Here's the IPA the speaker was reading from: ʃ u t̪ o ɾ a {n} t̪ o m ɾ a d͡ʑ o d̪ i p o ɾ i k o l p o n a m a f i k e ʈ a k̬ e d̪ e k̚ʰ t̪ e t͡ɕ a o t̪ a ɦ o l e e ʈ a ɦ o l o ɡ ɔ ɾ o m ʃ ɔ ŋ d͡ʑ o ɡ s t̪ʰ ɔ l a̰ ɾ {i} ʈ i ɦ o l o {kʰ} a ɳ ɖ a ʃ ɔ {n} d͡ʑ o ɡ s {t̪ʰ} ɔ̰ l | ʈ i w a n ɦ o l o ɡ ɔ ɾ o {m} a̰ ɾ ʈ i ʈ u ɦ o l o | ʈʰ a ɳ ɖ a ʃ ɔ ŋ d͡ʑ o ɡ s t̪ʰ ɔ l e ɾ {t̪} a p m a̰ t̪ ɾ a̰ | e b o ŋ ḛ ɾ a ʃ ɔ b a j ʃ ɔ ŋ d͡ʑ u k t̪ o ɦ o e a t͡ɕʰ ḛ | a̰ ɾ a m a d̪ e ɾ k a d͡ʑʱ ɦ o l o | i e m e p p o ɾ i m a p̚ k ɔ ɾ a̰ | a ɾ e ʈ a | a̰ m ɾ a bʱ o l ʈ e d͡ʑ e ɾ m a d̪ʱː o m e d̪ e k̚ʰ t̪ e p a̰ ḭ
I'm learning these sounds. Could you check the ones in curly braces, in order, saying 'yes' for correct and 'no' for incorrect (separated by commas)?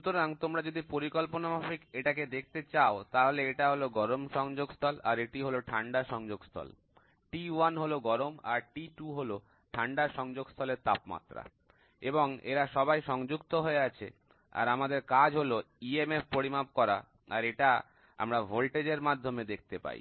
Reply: no, no, no, no, yes, yes, yes